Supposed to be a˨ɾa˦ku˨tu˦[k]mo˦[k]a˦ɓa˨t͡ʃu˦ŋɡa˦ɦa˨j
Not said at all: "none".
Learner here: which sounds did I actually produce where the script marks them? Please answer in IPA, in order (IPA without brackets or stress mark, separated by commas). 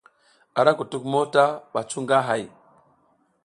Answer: k, t